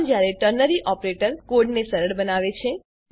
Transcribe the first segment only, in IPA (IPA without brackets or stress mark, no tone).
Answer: d͡ʒ